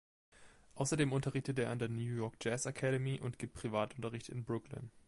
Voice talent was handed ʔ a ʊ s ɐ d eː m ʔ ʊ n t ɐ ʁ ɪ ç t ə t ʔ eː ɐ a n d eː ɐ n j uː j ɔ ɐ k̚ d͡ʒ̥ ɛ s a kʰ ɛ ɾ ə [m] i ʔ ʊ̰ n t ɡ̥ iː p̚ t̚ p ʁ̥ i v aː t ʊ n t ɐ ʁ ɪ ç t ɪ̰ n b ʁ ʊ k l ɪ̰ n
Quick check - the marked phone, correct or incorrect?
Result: correct